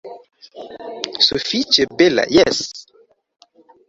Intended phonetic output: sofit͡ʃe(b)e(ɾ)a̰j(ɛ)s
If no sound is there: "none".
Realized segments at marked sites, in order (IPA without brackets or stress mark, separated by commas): b, l, ɛ